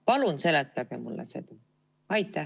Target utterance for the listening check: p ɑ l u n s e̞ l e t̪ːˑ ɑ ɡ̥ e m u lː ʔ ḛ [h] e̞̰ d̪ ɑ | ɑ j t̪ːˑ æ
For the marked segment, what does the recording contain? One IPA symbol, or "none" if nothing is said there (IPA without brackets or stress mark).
s